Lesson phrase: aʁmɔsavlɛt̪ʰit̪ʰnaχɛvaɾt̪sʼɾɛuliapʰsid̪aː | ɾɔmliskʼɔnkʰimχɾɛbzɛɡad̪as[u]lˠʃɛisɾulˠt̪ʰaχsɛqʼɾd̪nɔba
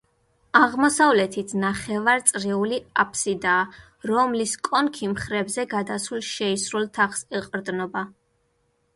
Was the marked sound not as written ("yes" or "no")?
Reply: no